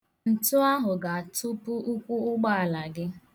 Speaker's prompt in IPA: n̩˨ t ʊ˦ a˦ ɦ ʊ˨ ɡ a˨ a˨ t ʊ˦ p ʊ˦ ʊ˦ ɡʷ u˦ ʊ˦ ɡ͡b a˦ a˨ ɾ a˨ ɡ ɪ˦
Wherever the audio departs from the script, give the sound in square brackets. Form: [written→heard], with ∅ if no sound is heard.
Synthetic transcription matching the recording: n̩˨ t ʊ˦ a˦ ɦ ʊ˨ ɡ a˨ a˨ t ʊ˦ p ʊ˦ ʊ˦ [ɡʷ→kʷ] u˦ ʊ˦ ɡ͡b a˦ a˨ [ɾ→l] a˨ ɡ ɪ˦